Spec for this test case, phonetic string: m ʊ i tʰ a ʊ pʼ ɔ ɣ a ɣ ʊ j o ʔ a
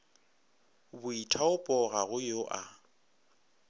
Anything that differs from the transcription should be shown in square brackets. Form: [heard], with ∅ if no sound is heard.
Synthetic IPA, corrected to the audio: [b] ʊ i tʰ a ʊ pʼ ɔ ɣ a ɣ ʊ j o ʔ a

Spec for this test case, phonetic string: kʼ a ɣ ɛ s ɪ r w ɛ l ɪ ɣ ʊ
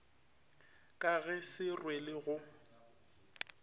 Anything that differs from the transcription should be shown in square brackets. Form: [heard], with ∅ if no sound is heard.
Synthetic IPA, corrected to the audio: kʼ a ɣ ɛ s ɪ r w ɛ l ɪ ɣ ʊ

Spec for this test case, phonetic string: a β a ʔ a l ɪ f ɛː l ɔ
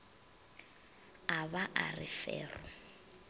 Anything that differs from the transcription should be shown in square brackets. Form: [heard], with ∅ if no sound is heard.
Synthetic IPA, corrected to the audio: a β a ʔ a [r] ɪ f ɛː [r] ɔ

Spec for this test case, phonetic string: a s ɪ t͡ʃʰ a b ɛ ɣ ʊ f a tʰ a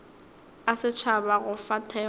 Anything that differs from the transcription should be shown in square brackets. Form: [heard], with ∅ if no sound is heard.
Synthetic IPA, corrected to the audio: a s ɪ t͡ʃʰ a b [a] ɣ ʊ f a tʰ [ɛ]

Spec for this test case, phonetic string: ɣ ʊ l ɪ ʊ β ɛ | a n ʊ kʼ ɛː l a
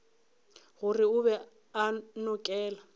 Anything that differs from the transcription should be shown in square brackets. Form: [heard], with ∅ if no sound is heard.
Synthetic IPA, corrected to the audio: ɣ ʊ [r] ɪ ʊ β ɛ | a n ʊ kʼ ɛː l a

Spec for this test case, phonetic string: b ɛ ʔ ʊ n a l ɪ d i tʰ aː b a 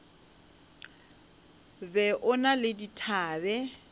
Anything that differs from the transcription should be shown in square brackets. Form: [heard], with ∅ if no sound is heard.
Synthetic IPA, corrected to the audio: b ɛ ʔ ʊ n a l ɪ d i tʰ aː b [ɛ]

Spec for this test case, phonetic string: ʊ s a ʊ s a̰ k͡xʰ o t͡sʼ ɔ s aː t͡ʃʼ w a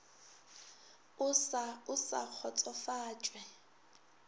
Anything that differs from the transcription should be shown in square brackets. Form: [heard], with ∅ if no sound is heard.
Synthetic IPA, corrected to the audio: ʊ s a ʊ s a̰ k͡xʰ [ɔ] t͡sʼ ɔ [f] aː t͡ʃʼ w [ɛ]

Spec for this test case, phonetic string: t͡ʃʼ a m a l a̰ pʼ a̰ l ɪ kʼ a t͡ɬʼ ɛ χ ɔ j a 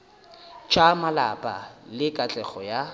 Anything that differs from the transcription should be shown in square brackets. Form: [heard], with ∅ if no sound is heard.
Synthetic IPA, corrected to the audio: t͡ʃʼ a m a l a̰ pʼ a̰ l ɪ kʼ a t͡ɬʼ ɛ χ ɔ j a

